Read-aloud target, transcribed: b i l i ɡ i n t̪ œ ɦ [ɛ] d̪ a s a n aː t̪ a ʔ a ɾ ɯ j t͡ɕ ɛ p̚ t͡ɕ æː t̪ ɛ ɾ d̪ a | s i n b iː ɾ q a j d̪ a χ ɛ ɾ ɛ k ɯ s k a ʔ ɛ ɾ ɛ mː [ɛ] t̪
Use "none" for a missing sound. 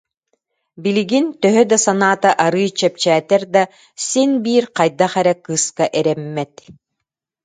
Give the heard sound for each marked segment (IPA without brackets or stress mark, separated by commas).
œ, ɛ